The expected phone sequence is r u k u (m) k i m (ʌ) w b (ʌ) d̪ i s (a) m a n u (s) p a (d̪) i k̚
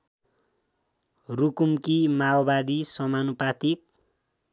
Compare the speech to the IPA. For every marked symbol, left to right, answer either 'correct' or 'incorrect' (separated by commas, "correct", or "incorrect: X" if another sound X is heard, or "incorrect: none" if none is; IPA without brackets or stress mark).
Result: correct, incorrect: a, incorrect: a, incorrect: ʌ, incorrect: none, incorrect: t̪